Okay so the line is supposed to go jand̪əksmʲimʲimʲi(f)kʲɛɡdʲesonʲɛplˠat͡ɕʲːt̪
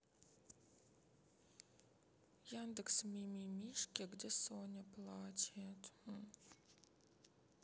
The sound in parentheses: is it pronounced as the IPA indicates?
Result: no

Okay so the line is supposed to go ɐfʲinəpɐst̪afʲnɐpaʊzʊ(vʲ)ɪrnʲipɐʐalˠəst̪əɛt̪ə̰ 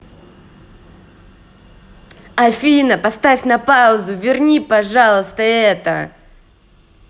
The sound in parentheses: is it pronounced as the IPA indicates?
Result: yes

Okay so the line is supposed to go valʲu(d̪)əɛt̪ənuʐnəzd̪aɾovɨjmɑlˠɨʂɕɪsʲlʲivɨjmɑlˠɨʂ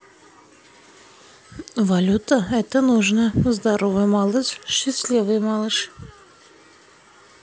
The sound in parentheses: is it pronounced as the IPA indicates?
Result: no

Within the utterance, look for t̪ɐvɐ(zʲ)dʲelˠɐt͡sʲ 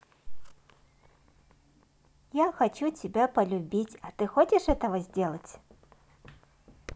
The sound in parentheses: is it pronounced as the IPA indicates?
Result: yes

